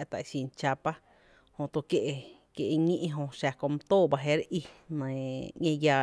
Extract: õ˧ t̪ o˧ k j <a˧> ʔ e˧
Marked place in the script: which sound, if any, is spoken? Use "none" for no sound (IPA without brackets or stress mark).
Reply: e˧